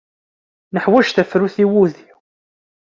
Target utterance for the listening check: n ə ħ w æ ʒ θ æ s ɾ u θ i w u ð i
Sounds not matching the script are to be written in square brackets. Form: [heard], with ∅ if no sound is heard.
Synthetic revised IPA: n ə ħ w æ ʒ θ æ [f] ɾ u θ i w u ð i